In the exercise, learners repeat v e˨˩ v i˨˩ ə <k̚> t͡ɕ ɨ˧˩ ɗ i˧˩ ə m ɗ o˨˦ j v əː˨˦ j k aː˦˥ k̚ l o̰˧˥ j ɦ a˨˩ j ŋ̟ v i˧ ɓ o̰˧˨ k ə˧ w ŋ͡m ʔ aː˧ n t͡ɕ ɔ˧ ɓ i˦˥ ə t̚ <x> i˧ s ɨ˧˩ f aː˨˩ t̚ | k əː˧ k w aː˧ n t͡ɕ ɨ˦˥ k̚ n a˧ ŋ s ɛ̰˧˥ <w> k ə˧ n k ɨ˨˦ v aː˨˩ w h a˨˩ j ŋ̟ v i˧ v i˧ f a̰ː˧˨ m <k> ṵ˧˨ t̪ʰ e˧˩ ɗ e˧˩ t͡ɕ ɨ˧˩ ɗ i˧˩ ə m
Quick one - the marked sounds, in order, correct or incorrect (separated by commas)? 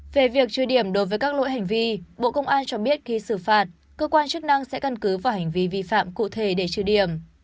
correct, correct, incorrect, correct